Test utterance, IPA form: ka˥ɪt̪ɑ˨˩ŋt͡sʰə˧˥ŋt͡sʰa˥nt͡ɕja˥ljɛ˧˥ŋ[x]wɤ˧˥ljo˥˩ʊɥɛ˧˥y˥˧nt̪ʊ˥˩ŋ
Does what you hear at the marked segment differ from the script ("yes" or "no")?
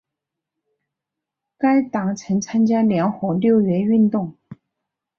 no